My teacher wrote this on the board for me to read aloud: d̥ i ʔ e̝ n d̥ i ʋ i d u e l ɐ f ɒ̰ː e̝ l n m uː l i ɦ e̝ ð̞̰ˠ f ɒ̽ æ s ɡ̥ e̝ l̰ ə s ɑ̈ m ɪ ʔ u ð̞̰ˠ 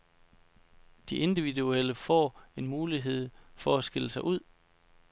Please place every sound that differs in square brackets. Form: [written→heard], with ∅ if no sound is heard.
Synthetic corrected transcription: d̥ i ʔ e̝ n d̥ i ʋ i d u e l [ɐ→ə] f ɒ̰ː e̝ [l→∅] n m uː l i ɦ e̝ ð̞̰ˠ f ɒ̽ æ s ɡ̥ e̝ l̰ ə s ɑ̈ [m→∅] ɪ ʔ u ð̞̰ˠ